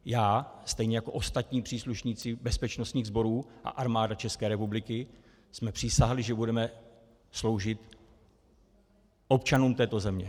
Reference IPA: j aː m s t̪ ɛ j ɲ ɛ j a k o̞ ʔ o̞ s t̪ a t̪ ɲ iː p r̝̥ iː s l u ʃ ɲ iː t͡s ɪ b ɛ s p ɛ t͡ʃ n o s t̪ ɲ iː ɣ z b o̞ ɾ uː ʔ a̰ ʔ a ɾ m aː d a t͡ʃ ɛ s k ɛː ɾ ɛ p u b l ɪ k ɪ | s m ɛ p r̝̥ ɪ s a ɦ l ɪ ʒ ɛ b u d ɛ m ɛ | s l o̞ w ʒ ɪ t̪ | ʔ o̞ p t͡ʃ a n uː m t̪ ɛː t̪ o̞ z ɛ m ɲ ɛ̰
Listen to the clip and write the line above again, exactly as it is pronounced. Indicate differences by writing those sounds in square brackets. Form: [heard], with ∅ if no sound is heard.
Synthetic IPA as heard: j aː [∅] s t̪ ɛ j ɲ ɛ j a k o̞ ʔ o̞ s t̪ a t̪ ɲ iː p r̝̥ iː s l u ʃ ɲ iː t͡s ɪ b ɛ s p ɛ t͡ʃ n o s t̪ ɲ iː ɣ z b o̞ ɾ uː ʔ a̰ ʔ a ɾ m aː d a t͡ʃ ɛ s k ɛː ɾ ɛ p u b l ɪ k ɪ | s m ɛ p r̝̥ ɪ s a ɦ l ɪ ʒ ɛ b u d ɛ m ɛ | s l o̞ w ʒ ɪ t̪ | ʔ o̞ p t͡ʃ a n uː m t̪ ɛː t̪ o̞ z ɛ m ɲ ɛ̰